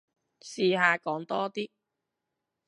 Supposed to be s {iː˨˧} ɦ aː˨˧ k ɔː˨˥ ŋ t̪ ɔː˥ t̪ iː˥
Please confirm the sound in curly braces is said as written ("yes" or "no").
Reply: yes